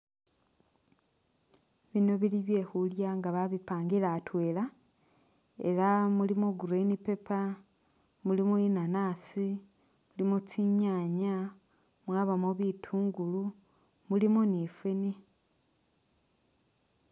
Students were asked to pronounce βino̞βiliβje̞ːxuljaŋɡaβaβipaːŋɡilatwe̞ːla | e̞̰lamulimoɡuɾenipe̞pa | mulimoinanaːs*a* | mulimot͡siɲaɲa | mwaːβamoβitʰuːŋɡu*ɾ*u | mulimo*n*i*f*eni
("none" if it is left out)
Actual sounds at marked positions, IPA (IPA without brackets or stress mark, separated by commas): i, l, n, f